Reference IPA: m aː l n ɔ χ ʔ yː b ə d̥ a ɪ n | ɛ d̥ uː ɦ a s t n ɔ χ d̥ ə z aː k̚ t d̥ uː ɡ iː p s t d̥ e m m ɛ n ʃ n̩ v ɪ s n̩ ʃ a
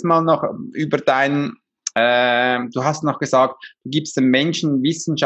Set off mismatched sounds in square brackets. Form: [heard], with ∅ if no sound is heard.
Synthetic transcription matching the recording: m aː l n ɔ χ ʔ yː b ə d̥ a ɪ n | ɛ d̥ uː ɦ a s t n ɔ χ [ɡ̥] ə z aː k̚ t d̥ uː ɡ iː p s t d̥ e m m ɛ n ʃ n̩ v ɪ s n̩ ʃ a